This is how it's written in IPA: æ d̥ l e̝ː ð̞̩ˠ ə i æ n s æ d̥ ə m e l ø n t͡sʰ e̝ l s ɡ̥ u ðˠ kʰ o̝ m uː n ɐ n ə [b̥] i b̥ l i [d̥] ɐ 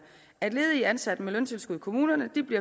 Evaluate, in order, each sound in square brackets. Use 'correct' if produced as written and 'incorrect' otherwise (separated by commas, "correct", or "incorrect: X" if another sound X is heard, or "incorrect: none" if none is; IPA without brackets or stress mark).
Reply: incorrect: d̥, incorrect: none